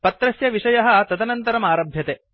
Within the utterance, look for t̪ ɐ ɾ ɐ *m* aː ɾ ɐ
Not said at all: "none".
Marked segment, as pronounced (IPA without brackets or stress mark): m